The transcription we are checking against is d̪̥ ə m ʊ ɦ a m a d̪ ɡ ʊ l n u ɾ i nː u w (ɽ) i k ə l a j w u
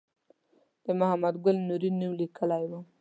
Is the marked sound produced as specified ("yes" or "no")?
no